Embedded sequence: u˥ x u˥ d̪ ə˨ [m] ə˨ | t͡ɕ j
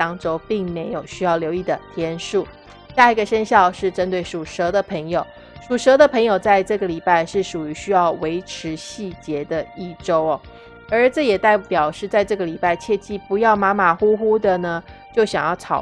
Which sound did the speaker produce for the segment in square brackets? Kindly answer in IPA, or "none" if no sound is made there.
n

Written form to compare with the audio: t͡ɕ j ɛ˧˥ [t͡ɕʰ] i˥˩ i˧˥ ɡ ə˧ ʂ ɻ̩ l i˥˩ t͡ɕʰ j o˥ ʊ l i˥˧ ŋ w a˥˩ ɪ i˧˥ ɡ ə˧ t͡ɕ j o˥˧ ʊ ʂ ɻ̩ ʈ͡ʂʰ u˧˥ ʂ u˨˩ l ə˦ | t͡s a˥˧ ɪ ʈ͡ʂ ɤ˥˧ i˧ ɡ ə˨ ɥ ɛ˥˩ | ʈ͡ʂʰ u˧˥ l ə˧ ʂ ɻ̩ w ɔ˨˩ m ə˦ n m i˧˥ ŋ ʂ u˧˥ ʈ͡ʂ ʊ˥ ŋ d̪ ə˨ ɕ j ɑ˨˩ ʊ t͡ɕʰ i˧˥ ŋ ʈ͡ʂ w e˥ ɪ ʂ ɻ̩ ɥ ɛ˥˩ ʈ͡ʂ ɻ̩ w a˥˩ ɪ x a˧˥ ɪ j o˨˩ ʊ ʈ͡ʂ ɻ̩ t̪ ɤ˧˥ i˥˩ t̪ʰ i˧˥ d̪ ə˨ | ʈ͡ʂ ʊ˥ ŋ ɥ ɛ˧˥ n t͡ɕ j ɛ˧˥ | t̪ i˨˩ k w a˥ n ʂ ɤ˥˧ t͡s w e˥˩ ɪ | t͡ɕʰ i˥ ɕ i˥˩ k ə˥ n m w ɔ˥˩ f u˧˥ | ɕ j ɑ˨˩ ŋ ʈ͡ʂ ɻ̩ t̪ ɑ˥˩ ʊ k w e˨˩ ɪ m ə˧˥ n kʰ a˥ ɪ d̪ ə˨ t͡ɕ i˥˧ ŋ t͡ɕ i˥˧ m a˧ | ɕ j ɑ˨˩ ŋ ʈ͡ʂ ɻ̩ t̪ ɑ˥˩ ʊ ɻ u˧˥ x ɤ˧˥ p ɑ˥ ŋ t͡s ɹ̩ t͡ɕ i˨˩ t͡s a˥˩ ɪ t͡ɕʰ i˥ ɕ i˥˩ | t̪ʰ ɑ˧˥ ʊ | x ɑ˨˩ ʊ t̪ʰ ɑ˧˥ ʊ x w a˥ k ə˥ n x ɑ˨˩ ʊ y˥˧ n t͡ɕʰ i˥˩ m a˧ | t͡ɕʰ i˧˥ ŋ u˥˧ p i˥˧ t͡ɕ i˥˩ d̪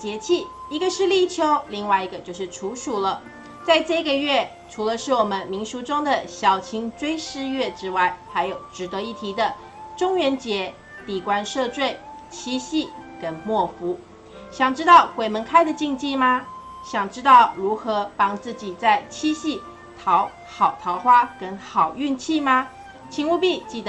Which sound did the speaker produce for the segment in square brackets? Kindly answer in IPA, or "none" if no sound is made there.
t͡ɕʰ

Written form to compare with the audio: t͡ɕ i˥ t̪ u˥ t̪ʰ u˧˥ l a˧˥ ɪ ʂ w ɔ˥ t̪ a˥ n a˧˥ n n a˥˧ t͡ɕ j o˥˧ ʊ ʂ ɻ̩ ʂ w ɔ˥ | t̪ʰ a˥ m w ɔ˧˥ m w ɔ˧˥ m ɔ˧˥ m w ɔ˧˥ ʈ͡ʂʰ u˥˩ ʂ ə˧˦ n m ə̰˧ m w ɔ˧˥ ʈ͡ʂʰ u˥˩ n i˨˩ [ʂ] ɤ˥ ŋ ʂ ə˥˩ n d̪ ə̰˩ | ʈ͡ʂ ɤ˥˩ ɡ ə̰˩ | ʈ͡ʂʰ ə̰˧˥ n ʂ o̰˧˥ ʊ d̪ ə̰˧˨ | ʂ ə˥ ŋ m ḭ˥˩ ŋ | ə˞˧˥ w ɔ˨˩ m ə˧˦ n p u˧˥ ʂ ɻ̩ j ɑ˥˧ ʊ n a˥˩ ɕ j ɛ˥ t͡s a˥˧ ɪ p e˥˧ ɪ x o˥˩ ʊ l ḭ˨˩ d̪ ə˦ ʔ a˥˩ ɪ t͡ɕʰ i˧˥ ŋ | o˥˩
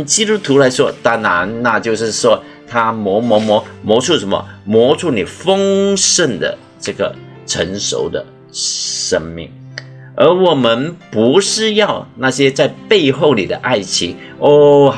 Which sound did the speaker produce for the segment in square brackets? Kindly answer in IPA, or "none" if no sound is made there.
f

